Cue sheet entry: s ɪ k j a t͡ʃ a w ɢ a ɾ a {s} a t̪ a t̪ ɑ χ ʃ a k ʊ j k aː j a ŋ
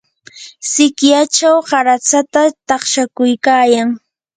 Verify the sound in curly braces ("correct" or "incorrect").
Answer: incorrect